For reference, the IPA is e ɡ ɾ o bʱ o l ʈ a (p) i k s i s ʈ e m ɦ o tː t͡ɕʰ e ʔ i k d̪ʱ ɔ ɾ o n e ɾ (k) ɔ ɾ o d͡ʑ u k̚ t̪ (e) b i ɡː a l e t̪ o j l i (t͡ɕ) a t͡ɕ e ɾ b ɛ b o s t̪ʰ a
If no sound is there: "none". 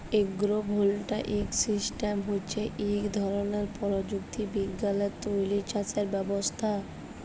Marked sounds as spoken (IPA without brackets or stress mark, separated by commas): ʔ, p, i, t͡ɕ